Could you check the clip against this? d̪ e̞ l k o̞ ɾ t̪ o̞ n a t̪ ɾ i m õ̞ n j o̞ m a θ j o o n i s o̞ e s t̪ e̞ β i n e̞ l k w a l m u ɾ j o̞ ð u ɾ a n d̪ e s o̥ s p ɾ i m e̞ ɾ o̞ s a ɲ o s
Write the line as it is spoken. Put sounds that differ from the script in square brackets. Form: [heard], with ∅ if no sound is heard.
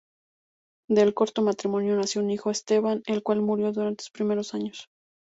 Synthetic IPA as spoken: d̪ e̞ l k o̞ ɾ t̪ o̞ [m] a t̪ ɾ i m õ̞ n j o̞ [n] a [s] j o [u] n i [x] o̞ e s t̪ e̞ β [a] n e̞ l k w a l m u ɾ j o̞ ð u ɾ a n [t̪] e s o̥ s p ɾ i m e̞ ɾ o̞ s a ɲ o s